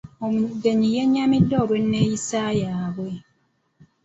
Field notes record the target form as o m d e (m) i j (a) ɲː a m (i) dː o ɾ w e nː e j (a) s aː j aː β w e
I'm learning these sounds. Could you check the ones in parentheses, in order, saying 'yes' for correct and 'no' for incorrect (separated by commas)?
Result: no, no, yes, no